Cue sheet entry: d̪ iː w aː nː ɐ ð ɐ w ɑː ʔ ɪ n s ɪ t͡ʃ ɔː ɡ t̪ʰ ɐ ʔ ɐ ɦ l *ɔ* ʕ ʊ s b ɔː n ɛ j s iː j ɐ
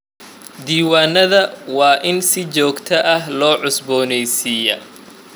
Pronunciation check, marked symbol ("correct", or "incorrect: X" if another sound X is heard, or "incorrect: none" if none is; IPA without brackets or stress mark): incorrect: ɔː